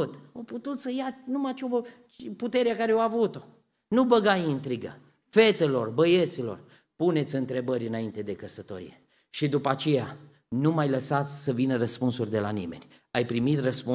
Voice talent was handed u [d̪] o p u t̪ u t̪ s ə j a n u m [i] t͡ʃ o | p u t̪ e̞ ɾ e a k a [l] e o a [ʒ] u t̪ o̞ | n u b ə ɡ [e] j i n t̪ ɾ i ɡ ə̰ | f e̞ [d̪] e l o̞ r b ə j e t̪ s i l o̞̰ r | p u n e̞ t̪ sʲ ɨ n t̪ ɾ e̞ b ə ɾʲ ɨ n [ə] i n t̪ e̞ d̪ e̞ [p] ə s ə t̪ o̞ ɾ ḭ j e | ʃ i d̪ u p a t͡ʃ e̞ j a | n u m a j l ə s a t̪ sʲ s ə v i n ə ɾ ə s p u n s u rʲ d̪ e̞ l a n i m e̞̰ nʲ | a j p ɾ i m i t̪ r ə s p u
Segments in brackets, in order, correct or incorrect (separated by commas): incorrect, incorrect, incorrect, incorrect, incorrect, incorrect, incorrect, incorrect